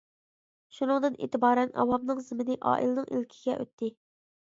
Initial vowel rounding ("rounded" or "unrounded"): rounded